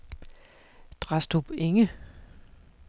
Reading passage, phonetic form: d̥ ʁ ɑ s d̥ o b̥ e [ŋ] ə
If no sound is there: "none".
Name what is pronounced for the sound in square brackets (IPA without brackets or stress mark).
ŋ